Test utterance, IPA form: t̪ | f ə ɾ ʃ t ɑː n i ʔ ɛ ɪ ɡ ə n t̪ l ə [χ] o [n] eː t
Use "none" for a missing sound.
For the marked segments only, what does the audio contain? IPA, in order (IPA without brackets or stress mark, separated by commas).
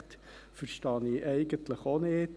χ, n